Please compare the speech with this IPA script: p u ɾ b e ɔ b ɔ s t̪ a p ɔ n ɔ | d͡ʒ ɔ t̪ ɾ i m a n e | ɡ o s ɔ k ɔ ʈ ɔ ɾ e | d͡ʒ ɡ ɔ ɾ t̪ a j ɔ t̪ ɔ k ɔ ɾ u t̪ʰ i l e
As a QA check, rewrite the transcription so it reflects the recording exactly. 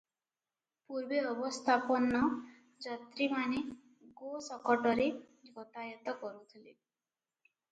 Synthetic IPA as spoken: p u ɾ b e ɔ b ɔ s t̪ʰ a p ɔ n ɔ | d͡ʒ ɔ t̪ ɾ i m a n e | ɡ o s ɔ k ɔ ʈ ɔ ɾ e | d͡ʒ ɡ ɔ t̪ a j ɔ t̪ ɔ k ɔ ɾ u t̪ʰ i l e